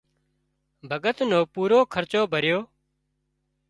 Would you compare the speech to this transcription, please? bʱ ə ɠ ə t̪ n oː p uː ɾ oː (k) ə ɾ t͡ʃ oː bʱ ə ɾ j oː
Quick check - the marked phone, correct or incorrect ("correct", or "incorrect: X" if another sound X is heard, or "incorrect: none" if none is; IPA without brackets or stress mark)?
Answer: incorrect: kʰ